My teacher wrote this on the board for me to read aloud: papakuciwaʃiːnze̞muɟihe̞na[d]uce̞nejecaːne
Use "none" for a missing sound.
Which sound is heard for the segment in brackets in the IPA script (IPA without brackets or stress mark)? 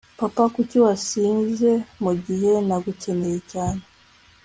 ɡ